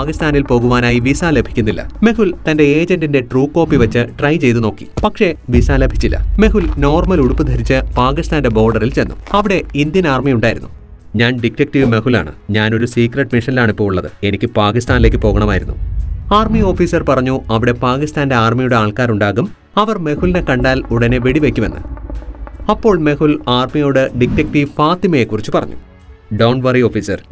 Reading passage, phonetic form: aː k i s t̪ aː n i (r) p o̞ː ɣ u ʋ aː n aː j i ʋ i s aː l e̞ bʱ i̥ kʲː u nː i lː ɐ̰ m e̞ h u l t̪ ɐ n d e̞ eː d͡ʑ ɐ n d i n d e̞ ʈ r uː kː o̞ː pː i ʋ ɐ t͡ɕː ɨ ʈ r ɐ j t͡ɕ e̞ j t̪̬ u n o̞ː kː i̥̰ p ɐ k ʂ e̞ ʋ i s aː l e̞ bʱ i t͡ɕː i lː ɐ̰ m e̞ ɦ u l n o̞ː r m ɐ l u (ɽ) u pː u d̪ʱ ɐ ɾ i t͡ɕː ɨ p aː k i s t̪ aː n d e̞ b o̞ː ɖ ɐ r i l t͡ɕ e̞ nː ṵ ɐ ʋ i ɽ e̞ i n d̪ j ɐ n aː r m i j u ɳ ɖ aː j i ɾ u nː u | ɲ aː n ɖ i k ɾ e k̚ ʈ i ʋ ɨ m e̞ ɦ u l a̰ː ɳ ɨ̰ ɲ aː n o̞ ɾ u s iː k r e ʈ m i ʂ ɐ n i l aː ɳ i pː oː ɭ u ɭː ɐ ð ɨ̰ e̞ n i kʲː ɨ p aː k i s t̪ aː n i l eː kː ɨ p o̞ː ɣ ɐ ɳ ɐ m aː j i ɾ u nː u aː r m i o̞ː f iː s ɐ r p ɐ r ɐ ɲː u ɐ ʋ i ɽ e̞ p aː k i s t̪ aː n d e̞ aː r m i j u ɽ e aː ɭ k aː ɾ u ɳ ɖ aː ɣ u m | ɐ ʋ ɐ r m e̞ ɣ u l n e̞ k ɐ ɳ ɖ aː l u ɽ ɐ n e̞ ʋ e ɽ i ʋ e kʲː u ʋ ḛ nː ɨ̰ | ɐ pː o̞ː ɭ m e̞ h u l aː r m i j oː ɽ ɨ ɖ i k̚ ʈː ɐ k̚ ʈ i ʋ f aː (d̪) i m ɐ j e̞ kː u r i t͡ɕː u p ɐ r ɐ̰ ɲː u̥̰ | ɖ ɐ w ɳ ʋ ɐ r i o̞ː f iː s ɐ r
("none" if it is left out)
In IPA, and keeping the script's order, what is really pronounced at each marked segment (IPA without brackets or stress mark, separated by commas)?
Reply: l, ɽ, t̪